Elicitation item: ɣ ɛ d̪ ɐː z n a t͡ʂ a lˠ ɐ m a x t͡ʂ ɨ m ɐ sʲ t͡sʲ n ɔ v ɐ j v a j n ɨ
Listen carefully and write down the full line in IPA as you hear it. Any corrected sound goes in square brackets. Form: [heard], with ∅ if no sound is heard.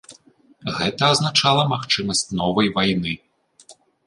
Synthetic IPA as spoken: ɣ ɛ [t̪] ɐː z n a t͡ʂ a lˠ ɐ m a x t͡ʂ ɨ m ɐ sʲ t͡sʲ n ɔ v ɐ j v a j n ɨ